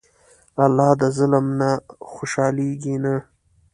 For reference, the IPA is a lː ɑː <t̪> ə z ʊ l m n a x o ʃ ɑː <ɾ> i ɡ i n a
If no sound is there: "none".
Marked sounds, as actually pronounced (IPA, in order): d̪, l

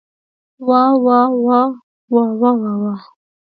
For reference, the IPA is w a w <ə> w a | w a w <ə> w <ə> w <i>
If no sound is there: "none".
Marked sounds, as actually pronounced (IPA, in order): a, a, a, a

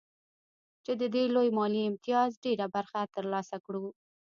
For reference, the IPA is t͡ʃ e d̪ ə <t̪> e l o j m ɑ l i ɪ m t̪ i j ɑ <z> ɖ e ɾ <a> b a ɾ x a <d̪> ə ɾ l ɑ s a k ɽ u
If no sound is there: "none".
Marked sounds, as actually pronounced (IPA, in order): d̪, z, a, t̪

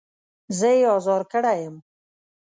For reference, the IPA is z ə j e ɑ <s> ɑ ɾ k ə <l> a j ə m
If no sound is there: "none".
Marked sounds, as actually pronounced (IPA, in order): z, ɽ

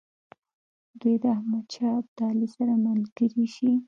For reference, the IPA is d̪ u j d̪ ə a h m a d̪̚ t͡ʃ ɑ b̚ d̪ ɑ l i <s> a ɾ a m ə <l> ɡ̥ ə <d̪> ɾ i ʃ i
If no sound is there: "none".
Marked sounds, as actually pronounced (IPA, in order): s, l, none

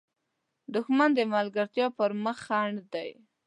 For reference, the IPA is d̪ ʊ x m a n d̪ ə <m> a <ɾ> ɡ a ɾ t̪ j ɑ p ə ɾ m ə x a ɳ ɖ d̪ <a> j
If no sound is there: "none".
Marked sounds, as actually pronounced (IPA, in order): m, l, a

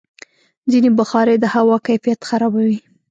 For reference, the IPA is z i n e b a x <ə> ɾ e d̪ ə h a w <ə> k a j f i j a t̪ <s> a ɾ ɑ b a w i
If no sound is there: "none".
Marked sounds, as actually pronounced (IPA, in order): ɑ, ɑ, x

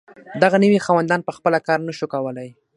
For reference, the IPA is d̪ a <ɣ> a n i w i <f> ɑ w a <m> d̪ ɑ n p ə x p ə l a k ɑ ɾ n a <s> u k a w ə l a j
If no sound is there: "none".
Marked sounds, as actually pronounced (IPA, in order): ɣ, x, n, ʃ

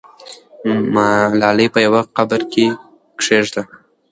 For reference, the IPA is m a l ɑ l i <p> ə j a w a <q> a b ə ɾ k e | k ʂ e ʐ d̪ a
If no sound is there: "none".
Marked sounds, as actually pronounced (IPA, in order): p, q

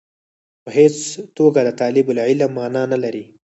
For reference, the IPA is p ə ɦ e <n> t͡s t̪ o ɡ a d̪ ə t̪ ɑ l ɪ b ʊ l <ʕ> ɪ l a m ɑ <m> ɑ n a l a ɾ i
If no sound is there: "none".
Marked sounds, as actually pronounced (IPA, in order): none, ʕ, n

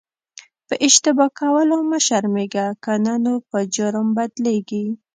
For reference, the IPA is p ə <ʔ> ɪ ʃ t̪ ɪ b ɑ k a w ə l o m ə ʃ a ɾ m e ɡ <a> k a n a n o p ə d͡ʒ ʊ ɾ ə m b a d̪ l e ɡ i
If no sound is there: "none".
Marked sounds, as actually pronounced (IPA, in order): ʔ, a

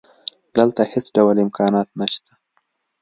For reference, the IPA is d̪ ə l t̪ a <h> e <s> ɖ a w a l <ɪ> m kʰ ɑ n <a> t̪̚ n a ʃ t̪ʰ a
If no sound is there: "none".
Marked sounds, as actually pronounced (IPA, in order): h, s, ɪ, ɑ

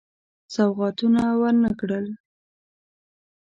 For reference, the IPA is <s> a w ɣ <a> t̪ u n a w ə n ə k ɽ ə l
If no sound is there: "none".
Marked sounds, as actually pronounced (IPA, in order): s, ɑ

